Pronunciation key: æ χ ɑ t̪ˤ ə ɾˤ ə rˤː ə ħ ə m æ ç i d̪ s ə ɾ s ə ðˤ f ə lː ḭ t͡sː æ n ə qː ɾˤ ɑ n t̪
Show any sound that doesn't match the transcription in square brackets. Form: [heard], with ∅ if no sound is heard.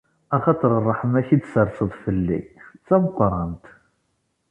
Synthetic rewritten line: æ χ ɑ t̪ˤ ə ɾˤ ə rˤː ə ħ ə m æ ç i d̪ s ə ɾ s ə ðˤ f ə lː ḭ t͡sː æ [m] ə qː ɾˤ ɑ n t̪

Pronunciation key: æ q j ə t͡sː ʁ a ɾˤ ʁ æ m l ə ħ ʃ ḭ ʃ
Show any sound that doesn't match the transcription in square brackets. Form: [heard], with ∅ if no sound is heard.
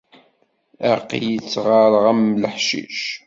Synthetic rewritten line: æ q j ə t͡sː ʁ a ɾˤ ʁ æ m l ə ħ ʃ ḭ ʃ

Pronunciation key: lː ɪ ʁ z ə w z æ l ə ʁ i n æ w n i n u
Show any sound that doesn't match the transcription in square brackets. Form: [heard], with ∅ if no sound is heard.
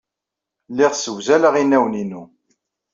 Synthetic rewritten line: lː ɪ ʁ [s] ə w z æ l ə ʁ i n æ w n i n u

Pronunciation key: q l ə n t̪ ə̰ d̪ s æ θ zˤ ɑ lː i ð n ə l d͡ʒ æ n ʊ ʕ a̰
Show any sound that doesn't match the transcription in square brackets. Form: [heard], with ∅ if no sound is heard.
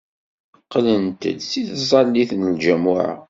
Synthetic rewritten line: q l ə n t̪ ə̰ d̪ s [i] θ zˤ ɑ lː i [θ] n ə l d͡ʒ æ [m] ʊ ʕ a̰

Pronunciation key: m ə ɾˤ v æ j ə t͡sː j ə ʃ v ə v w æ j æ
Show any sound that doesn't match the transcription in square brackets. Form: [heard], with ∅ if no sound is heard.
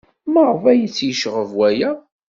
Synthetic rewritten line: m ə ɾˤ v æ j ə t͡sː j ə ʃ [ʁ] ə v w æ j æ

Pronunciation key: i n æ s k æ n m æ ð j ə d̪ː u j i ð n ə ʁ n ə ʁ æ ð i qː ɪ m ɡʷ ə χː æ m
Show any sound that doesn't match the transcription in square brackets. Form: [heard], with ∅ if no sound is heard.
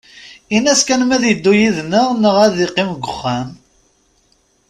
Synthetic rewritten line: i n æ s k æ n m æ ð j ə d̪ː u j i ð n ə ʁ n ə ʁ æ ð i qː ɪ m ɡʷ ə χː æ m

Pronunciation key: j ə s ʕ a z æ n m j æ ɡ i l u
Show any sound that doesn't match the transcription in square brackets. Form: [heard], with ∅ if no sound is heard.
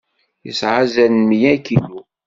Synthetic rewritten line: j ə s ʕ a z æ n m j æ [k] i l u

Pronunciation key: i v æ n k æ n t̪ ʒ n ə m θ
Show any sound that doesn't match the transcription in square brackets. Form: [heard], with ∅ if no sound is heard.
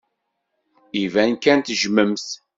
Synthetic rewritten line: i v æ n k æ n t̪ ʒ [m] ə m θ

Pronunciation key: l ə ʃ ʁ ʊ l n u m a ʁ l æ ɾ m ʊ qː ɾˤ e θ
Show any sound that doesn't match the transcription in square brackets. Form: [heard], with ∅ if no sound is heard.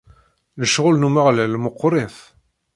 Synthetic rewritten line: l ə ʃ ʁ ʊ l n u m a ʁ l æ [l] m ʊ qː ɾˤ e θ

